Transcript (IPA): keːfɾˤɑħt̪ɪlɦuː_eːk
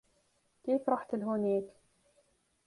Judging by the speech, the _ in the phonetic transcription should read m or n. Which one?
n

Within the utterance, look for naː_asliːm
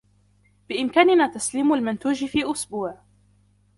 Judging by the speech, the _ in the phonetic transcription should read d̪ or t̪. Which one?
t̪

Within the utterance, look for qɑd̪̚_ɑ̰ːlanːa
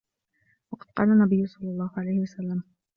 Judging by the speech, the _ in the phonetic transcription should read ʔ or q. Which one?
q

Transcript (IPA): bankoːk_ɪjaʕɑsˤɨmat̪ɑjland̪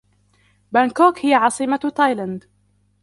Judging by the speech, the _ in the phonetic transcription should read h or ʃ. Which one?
h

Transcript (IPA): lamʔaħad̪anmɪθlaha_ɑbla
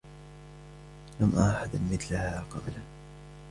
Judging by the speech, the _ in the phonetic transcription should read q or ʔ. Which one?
q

